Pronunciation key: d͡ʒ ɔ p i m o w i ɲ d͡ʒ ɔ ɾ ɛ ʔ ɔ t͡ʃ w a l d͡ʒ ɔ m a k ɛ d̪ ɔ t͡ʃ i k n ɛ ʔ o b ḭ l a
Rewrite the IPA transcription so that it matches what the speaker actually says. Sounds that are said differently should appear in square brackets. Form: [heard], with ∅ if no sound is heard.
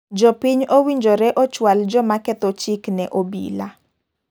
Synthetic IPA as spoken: d͡ʒ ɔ p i [ɲ] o w i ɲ d͡ʒ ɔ ɾ ɛ ʔ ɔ t͡ʃ w a l d͡ʒ ɔ m a k ɛ [t̪] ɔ t͡ʃ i k n ɛ ʔ o b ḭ l a